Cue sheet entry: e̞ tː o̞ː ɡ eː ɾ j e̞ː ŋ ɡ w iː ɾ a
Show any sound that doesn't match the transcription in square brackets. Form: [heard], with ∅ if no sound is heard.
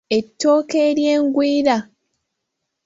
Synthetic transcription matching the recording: e̞ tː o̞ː [k] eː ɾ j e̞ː ŋ ɡ w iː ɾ a